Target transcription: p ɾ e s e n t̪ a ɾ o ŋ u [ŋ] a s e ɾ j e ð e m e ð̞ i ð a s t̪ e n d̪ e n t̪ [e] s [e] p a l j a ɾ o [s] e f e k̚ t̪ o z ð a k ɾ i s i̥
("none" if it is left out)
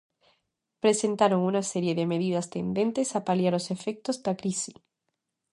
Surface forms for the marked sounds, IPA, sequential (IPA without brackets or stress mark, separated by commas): n, e, a, s